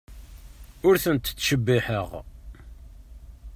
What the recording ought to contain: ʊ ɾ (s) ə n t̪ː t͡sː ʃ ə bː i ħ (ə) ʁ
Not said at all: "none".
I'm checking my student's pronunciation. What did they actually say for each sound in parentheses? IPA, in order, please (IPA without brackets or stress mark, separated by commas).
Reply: θ, ə